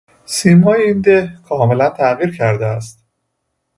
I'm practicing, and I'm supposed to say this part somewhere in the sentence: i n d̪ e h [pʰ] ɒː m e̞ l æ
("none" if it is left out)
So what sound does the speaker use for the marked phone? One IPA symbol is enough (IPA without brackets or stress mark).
kʰ